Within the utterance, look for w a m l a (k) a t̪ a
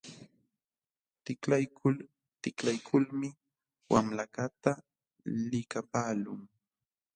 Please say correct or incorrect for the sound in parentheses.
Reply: correct